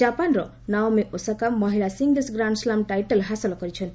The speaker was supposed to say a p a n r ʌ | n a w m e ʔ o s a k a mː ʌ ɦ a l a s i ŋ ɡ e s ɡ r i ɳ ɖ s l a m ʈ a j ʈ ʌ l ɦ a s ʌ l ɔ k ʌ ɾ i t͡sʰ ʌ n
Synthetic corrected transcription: a p a n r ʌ | n a w m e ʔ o s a k a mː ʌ ɦ i l a s i ŋ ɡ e s ɡ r a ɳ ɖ s l a m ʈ a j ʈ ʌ l ɦ a s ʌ l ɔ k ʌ ɾ i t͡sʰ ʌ n